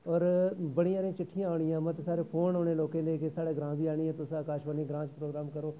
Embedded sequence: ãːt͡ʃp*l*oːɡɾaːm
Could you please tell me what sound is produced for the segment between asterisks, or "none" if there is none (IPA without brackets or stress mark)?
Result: ɾ